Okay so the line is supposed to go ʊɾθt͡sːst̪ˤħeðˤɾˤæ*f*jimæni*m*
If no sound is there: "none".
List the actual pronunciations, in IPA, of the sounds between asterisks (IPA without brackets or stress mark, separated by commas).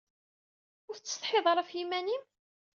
f, m